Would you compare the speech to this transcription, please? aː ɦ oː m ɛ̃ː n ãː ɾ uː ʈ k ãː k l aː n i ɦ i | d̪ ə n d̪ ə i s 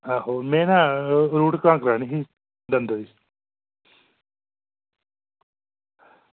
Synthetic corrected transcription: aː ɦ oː m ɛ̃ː n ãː ɾ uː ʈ k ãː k ɾ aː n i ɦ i | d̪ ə n d̪ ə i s